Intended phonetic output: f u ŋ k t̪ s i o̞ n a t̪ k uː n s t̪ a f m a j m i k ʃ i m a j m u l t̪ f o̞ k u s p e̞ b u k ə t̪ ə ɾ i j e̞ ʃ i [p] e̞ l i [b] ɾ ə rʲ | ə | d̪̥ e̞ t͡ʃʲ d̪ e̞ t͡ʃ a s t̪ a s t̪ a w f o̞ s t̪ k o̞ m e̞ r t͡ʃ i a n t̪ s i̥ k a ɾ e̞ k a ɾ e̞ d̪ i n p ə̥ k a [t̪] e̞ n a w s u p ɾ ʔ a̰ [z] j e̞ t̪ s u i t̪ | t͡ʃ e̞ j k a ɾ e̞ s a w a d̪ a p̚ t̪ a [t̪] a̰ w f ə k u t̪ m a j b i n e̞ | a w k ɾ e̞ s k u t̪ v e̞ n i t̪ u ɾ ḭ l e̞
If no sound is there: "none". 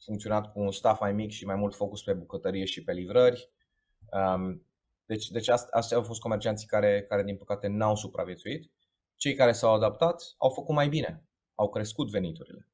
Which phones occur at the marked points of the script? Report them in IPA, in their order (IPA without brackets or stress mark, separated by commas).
p, v, t̪, v, t̪